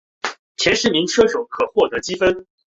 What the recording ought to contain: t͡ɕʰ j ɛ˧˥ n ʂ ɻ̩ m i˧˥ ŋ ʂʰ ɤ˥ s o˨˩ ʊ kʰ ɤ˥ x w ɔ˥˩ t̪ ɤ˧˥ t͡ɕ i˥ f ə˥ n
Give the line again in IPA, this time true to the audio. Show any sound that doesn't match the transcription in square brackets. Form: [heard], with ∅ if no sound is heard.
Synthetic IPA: t͡ɕʰ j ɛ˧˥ n ʂ ɻ̩ m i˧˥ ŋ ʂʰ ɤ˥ [ʂ] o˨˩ ʊ kʰ [ɤ˨˩] x w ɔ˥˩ t̪ ɤ˧˥ t͡ɕ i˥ f ə˥ n